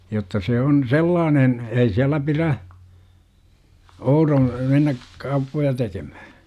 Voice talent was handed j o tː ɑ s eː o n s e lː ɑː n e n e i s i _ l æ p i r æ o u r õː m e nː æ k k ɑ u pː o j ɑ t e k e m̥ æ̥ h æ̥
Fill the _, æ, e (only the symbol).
æ